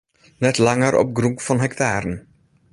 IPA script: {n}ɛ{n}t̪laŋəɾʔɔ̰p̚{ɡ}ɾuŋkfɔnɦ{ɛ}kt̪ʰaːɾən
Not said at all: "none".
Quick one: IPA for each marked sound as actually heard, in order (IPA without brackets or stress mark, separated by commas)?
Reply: n, none, ɡ, ɛ